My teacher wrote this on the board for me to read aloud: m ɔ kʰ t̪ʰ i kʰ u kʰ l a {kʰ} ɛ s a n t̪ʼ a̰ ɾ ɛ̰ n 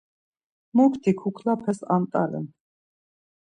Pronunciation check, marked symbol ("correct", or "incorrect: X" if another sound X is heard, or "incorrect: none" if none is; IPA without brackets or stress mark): incorrect: pʰ